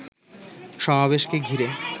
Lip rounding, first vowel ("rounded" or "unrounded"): rounded